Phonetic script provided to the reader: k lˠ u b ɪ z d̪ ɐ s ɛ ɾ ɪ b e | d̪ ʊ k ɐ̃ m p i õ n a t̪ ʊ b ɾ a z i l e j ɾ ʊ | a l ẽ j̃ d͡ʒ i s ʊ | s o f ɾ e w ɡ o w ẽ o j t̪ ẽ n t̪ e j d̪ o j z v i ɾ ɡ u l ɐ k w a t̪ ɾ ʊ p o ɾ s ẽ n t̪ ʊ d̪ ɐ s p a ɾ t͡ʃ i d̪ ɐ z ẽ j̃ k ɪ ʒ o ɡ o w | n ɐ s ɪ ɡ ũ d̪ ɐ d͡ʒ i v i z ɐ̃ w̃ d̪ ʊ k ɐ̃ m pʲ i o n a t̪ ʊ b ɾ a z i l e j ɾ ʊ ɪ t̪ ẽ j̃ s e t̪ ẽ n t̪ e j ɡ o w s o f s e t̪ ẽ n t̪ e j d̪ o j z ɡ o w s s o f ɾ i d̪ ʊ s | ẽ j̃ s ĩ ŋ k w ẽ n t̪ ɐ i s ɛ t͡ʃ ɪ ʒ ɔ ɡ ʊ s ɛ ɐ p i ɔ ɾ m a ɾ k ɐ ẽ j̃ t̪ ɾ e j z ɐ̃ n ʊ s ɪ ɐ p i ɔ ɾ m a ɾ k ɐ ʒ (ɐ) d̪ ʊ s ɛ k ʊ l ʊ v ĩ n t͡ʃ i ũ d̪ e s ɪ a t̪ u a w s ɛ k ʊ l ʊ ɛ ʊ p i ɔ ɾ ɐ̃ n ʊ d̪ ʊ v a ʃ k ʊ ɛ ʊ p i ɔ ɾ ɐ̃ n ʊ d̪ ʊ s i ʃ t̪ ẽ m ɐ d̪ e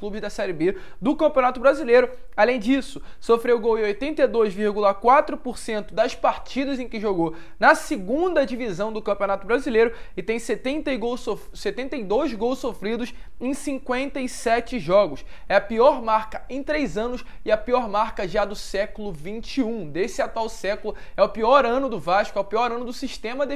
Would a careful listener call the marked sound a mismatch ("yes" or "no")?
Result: yes